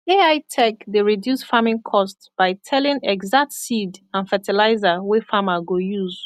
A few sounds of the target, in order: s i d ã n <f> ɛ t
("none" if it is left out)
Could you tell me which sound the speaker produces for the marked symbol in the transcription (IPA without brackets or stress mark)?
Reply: f